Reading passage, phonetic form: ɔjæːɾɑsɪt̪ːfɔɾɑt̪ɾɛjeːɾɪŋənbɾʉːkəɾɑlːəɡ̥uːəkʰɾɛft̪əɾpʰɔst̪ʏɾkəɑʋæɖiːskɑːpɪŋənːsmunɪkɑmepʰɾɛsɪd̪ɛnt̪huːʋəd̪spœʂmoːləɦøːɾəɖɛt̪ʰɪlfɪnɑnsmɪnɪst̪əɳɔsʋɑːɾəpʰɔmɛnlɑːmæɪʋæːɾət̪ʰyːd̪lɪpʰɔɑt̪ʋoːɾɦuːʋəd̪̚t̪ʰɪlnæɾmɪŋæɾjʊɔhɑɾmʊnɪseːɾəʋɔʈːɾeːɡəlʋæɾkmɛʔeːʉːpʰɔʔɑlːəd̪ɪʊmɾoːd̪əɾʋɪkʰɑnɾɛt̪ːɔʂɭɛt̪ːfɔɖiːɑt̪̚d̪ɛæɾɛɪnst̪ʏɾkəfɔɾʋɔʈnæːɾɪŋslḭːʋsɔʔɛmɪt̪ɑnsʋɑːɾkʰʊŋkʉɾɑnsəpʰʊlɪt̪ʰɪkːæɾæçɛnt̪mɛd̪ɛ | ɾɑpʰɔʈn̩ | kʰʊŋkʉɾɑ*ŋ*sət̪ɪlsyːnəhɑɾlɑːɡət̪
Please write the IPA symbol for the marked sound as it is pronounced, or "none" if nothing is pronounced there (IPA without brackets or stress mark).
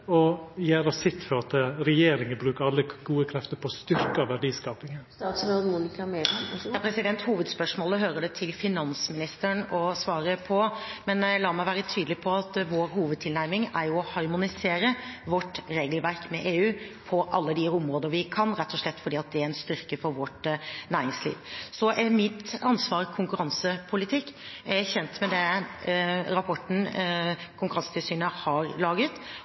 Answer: n